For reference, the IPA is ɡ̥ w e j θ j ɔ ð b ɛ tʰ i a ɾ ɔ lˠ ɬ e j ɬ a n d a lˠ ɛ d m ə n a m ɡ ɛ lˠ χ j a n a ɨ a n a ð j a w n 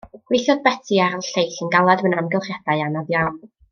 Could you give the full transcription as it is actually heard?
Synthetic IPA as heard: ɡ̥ w e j θ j ɔ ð b ɛ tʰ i a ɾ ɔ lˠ ɬ e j ɬ ə n ɡ a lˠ a d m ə n a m ɡ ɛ lˠ χ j a d a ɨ a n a ð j a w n